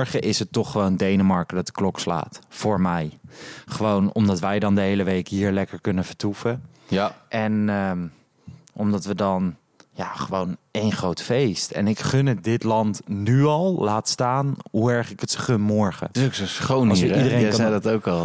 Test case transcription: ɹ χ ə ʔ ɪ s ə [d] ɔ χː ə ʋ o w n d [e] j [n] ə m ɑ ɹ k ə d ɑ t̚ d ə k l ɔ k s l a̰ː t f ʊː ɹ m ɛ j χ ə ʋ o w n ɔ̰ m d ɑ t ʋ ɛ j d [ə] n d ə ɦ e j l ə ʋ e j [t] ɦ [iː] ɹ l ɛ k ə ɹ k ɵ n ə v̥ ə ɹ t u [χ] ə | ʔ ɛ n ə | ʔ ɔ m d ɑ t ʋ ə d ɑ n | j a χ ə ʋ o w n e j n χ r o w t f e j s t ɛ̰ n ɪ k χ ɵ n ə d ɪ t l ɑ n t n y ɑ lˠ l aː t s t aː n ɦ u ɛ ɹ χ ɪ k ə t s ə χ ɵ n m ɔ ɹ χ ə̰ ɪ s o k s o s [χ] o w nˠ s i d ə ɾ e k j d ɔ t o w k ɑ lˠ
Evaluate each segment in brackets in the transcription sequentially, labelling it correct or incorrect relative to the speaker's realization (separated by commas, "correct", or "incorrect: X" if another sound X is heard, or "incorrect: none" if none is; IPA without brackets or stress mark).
incorrect: t, correct, correct, incorrect: ɑ, incorrect: k, correct, incorrect: f, correct